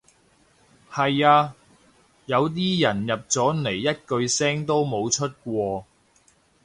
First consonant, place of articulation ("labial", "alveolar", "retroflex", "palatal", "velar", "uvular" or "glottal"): glottal